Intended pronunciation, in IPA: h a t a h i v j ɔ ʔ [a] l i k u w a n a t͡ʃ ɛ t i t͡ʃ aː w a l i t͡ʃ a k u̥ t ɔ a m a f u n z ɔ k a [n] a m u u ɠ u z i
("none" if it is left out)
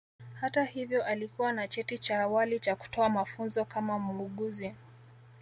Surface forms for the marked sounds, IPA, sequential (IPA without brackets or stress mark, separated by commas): a, m